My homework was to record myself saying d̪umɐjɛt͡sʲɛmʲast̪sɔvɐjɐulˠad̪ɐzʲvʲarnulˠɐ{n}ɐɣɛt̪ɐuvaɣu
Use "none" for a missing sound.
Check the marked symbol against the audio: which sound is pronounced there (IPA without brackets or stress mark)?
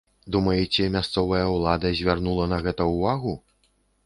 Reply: n